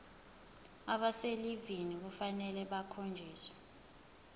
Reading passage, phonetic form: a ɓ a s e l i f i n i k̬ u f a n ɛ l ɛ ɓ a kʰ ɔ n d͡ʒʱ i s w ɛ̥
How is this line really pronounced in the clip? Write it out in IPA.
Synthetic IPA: a ɓ a s e l i v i n i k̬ u f a n ɛ l ɛ ɓ a kʰ o n d͡ʒʱ iː s w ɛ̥